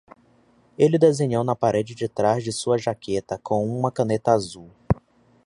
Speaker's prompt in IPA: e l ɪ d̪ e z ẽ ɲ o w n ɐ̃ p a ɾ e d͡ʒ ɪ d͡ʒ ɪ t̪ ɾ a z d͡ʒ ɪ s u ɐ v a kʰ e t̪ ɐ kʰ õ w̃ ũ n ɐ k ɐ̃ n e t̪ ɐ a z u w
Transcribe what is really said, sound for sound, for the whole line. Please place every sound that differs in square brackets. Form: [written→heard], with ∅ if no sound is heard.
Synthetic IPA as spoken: e l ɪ d̪ e z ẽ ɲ o w n [ɐ̃→ɐ] p a ɾ e d͡ʒ ɪ d͡ʒ ɪ t̪ ɾ a z d͡ʒ ɪ s u ɐ [v→ʒ] a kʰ e t̪ ɐ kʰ õ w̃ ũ [n→m] ɐ k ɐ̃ n e t̪ ɐ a z u w